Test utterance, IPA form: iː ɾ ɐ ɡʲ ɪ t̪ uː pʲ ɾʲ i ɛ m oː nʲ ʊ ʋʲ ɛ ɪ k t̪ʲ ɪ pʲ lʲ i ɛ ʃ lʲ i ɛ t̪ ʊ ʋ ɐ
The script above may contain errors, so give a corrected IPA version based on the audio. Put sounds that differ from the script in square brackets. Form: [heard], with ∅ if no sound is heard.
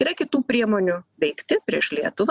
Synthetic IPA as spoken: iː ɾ ɐ [kʲ] ɪ t̪ uː pʲ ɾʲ i ɛ m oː nʲ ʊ ʋʲ ɛ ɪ k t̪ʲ ɪ pʲ [ɾʲ] i ɛ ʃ lʲ i ɛ t̪ ʊ ʋ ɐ